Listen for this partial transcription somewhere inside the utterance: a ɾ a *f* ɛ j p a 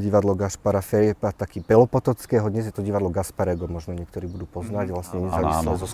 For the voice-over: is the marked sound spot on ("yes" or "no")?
yes